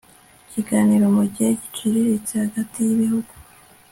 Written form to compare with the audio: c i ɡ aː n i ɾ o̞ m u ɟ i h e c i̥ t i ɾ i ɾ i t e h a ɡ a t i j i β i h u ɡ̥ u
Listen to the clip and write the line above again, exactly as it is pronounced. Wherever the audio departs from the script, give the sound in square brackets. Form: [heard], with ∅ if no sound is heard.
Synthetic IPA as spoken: c i ɡ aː n i ɾ o̞ m u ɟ i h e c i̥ [t͡ʃ] i ɾ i ɾ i [t͡s] e h a ɡ a t i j i β i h u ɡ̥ u